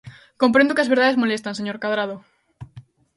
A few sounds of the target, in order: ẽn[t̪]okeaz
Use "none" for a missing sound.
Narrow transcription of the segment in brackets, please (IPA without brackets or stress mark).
d̪